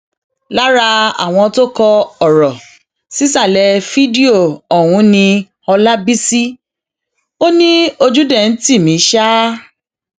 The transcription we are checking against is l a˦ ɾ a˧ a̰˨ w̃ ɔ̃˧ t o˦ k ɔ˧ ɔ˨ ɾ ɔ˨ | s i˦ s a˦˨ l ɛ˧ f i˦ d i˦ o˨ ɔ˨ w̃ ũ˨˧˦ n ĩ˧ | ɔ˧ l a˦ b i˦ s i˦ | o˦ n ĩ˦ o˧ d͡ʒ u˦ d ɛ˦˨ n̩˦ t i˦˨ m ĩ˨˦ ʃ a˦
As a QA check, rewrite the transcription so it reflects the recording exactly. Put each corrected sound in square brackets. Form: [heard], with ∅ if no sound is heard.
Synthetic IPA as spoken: l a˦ ɾ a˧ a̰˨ w̃ ɔ̃˧ t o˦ k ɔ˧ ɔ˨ ɾ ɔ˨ | s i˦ s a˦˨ l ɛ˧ f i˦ d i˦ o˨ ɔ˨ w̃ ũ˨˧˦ n ĩ˧ | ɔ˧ l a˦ b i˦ s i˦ | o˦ n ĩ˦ o˧ d͡ʒ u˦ d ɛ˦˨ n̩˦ t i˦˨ m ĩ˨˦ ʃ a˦